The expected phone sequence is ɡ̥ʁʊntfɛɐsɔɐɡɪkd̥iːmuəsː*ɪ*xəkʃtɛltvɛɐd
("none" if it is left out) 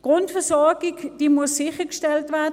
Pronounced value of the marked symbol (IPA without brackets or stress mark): ɪ